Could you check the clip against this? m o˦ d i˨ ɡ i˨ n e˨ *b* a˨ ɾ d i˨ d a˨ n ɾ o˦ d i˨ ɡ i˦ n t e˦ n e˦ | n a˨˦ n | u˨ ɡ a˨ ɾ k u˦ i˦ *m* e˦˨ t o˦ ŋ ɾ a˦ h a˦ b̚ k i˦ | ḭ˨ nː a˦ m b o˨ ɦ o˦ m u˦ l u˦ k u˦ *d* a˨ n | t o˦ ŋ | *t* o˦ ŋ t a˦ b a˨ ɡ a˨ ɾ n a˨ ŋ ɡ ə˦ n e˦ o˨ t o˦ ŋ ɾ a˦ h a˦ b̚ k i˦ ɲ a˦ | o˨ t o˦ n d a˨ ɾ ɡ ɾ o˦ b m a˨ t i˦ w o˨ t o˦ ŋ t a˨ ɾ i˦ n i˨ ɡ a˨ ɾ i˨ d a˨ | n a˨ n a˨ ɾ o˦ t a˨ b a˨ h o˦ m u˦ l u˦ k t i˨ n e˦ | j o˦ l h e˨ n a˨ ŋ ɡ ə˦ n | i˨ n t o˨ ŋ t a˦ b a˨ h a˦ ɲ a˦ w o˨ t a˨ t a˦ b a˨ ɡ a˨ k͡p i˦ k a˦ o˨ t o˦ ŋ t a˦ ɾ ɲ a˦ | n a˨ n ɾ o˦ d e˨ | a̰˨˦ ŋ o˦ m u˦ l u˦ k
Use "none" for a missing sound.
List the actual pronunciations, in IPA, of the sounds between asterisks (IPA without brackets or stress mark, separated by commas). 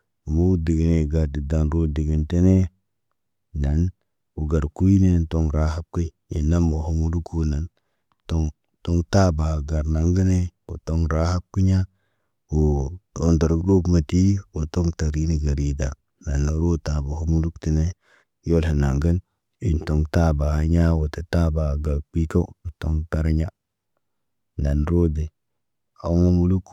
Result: ɡ, n, n, t